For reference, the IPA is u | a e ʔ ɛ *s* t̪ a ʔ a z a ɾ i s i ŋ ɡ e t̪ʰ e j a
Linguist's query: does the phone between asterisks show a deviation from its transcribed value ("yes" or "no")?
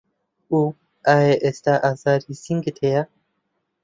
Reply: no